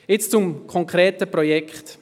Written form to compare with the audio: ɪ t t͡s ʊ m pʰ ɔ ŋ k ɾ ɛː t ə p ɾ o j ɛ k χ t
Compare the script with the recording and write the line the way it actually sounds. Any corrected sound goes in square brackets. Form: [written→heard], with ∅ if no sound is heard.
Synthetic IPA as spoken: ɪ [t→t͡s] t͡s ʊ m [pʰ→kʰ] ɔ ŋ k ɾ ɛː t ə p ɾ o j ɛ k χ t